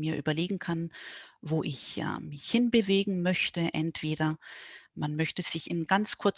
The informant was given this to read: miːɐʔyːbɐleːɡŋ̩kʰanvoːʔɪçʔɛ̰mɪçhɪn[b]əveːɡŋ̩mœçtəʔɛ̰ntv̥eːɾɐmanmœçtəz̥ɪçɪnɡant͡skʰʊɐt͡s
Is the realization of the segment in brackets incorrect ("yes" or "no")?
no